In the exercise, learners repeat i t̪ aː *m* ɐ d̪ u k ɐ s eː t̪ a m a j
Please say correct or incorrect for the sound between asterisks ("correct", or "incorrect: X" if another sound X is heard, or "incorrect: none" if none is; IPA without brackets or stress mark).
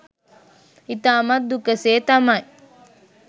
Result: correct